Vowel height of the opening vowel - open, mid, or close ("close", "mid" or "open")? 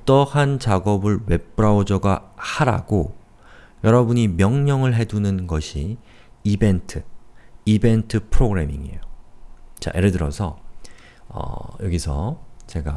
mid